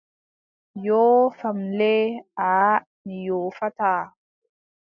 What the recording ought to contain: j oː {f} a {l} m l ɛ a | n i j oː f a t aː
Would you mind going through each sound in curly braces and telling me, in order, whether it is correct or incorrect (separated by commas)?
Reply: correct, incorrect